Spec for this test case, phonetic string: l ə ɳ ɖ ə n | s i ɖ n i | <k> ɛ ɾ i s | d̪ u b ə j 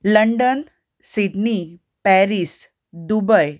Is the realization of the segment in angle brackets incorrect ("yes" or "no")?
yes